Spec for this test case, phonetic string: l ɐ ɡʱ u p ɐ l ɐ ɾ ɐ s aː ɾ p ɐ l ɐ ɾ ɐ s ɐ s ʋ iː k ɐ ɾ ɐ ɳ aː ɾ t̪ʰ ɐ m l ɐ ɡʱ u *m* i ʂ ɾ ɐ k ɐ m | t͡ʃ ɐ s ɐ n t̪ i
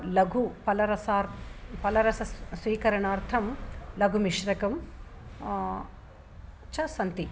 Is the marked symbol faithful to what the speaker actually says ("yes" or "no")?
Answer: yes